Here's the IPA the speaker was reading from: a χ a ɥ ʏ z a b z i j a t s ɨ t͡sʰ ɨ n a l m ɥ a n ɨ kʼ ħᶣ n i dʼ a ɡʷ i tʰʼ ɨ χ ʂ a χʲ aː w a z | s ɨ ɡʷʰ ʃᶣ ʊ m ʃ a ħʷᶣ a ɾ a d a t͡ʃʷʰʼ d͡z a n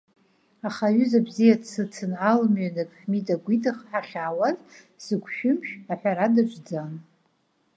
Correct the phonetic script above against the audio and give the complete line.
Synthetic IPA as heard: a χ a ɥ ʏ z a b z i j a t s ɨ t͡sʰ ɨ n a l m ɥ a n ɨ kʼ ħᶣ m i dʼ a ɡʷ i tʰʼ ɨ χ ħ a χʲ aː w a z | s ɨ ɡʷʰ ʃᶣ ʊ m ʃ a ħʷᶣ a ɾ a d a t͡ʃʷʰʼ d͡z a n